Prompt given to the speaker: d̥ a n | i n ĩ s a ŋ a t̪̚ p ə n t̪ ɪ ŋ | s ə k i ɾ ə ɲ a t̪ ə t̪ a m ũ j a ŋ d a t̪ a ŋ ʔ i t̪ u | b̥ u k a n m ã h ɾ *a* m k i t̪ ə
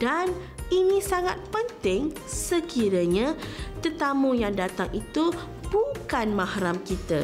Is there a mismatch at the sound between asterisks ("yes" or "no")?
no